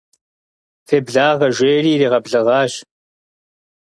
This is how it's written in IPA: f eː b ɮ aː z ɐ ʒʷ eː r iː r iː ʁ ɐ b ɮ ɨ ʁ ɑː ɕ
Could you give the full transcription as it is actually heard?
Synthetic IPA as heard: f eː b ɮ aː ʁ ɐ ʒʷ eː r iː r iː ʁ ɐ b ɮ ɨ ʁ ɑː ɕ